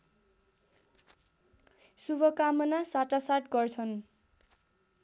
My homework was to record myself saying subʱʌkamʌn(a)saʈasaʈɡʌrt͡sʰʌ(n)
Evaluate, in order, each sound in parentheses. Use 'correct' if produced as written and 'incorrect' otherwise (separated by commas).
correct, correct